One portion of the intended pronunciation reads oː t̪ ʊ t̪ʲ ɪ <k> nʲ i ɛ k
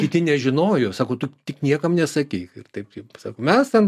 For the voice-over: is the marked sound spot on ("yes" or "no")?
yes